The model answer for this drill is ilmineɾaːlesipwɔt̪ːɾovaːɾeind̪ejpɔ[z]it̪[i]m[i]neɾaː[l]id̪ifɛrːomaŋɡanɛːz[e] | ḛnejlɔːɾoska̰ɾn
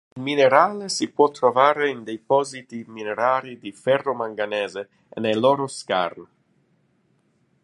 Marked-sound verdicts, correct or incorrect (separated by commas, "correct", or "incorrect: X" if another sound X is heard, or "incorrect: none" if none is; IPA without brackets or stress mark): correct, correct, correct, incorrect: ɾ, correct